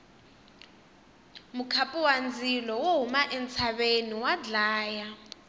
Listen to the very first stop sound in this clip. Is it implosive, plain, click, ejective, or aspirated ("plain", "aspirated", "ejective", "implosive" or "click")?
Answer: aspirated